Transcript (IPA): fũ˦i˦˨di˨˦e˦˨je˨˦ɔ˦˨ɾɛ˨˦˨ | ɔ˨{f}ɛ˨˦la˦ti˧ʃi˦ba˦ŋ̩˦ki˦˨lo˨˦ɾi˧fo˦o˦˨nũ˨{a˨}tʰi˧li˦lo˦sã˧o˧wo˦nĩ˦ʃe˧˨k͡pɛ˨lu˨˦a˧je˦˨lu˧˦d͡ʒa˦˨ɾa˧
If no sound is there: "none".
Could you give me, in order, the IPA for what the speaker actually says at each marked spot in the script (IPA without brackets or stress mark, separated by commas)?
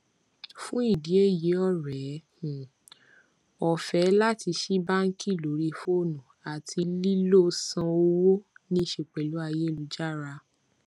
f, a˨